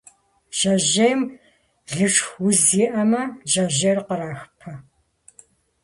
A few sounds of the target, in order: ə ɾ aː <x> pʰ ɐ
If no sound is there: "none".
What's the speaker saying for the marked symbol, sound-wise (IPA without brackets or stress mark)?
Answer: x